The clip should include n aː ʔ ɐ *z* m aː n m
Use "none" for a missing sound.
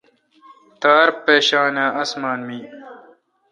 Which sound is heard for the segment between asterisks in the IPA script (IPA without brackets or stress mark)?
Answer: s